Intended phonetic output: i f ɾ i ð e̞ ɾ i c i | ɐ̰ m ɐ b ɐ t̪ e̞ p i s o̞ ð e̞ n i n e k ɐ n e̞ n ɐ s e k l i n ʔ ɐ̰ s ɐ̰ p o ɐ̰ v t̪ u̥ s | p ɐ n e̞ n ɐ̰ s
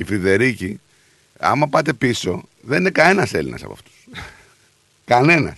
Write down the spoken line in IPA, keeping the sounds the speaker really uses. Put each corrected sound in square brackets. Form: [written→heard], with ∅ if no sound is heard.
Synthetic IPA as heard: i f ɾ i ð e̞ ɾ i c i | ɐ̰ m ɐ [b→p] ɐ t̪ e̞ p i s o̞ ð e̞ n i n e k ɐ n e̞ n ɐ s e [k→∅] l i n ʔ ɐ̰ s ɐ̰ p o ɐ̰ [v→f] t̪ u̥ s | [p→k] ɐ n e̞ n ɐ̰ s